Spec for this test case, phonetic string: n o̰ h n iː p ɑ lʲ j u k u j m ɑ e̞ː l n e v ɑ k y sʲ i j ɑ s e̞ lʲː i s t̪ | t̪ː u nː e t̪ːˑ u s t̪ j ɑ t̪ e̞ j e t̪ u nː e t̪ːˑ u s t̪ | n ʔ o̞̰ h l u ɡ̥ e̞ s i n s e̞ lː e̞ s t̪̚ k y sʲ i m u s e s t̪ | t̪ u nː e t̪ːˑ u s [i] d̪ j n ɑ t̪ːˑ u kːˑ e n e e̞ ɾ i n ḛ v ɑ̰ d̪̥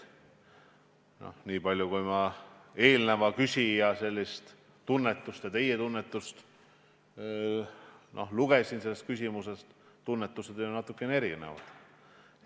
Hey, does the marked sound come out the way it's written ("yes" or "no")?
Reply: no